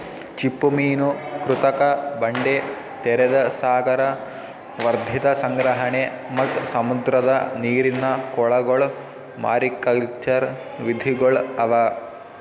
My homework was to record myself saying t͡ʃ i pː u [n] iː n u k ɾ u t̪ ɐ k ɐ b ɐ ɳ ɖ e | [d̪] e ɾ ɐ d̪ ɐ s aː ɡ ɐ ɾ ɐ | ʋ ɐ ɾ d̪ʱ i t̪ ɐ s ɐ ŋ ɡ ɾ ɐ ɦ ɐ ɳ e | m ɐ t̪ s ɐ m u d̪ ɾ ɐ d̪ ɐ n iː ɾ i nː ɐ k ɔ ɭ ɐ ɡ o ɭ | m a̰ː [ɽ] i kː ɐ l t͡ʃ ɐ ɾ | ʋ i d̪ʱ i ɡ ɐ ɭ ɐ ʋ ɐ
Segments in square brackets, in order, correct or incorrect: incorrect: m, incorrect: t̪, incorrect: ɾ

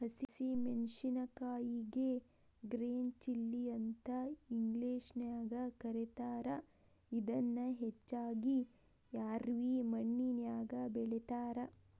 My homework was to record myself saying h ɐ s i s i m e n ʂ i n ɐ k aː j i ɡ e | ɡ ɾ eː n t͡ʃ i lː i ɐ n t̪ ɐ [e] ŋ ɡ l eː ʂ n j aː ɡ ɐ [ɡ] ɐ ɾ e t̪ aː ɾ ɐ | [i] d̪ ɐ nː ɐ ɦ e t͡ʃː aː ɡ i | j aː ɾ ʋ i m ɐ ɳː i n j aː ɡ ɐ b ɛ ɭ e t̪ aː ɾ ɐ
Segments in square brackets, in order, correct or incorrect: incorrect: i, incorrect: k, correct

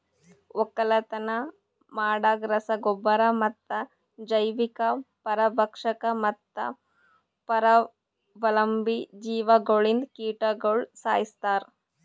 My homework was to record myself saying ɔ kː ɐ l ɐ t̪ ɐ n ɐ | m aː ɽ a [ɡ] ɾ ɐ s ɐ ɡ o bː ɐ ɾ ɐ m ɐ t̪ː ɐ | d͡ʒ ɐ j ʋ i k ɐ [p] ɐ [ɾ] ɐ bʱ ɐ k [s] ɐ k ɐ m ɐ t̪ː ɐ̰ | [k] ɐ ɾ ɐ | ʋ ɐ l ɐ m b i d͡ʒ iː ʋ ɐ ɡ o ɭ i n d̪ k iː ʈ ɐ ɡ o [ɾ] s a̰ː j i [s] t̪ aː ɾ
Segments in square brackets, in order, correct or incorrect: correct, correct, correct, incorrect: ʂ, incorrect: p, incorrect: ɭ, correct

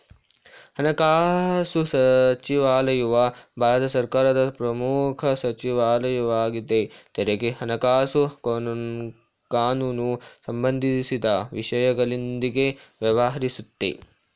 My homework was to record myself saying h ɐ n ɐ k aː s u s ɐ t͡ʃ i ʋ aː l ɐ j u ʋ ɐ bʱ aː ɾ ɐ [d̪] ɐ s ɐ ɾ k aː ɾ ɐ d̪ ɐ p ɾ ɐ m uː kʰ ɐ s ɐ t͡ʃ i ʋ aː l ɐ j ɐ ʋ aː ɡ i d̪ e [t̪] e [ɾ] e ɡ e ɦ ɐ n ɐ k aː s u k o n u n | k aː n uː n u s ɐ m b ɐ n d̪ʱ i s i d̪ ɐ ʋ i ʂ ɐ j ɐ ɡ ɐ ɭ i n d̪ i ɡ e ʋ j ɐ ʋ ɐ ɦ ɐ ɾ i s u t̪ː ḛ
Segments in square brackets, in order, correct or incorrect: incorrect: t̪, correct, correct

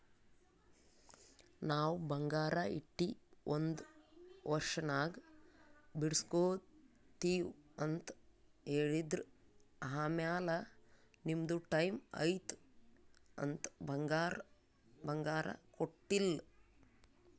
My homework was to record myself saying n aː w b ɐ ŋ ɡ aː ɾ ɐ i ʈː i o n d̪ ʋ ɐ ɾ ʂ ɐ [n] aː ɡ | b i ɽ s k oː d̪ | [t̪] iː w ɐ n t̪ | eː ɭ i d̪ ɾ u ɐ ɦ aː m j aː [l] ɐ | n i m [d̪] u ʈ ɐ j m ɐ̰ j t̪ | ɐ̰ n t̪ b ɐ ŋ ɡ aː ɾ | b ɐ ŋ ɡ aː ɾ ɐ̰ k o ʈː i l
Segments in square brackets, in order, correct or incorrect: correct, correct, correct, correct

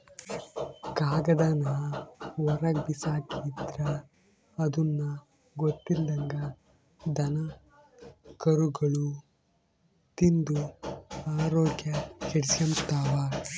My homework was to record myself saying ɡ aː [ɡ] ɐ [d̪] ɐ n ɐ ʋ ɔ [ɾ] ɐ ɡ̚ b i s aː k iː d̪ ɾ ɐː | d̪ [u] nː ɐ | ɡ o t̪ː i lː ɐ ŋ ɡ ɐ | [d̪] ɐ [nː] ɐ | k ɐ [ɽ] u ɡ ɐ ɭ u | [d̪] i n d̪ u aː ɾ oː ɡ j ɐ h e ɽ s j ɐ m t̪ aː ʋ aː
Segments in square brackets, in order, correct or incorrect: correct, correct, correct, correct, correct, incorrect: n, incorrect: ɾ, incorrect: t̪

